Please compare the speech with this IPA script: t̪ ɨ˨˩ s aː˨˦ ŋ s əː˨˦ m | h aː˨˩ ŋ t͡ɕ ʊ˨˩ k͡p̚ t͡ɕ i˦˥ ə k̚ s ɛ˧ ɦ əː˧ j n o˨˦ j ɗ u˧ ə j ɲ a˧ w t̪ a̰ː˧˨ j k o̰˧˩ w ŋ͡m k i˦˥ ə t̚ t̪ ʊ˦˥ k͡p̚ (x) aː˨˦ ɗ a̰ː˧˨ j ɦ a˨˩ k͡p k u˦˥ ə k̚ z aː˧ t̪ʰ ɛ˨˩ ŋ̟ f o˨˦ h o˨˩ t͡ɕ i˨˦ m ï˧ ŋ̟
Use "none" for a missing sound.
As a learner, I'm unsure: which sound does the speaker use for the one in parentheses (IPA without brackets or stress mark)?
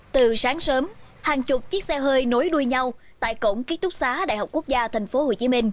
s